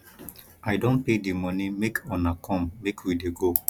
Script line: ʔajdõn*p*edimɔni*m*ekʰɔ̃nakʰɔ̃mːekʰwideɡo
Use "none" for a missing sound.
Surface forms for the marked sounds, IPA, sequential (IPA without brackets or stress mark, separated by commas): p, m